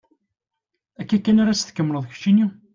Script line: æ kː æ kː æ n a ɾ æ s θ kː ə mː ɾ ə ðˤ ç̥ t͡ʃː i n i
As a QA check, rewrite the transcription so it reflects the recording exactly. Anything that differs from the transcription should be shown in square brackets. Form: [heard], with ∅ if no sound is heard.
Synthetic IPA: æ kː æ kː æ n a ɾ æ s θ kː ə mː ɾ ə ðˤ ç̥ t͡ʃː i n i